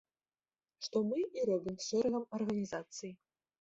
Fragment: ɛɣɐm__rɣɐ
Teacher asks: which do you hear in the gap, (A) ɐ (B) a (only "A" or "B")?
A